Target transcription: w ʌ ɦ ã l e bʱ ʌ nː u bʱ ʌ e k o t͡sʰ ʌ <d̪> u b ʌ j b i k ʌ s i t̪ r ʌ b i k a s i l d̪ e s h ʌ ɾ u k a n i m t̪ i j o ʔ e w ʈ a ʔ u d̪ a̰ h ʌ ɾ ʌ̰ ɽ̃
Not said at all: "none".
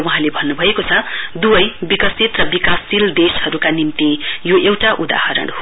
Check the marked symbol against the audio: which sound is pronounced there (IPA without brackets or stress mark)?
d̪